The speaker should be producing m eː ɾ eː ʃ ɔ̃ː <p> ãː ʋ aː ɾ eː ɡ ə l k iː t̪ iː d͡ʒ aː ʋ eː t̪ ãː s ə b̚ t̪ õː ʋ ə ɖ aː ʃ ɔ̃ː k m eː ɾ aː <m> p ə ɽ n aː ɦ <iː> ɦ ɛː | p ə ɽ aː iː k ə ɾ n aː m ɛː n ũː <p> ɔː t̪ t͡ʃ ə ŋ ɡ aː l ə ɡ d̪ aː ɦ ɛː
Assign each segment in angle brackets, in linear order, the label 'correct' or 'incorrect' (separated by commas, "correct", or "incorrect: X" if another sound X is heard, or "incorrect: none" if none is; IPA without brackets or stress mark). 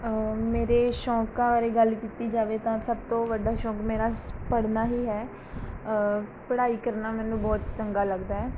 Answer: incorrect: k, incorrect: none, correct, incorrect: b